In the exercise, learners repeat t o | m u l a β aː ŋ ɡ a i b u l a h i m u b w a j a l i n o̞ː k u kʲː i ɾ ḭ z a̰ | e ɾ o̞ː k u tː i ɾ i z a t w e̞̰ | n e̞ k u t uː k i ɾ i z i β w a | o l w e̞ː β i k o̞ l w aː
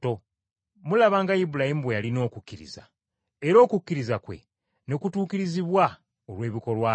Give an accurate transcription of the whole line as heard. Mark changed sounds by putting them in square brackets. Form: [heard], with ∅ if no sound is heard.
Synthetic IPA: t o | m u l a β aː ŋ ɡ a i b u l a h i m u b w [e] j a l i n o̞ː k u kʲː i ɾ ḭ z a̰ | e ɾ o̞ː k u [kː] i ɾ i z a [k] w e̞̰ | n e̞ k u t uː k i ɾ i z i β w a | o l w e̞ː β i k o̞ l w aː